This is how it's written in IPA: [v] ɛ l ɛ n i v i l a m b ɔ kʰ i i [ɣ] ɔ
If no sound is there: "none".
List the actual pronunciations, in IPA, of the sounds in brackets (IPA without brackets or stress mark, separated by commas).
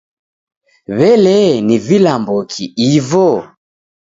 β, v